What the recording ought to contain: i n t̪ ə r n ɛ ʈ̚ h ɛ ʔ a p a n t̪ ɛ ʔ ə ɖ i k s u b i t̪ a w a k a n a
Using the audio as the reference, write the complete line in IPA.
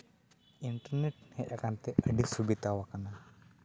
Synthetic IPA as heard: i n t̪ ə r n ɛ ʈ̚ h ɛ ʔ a k a n t̪ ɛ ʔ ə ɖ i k s u b i t̪ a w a k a n a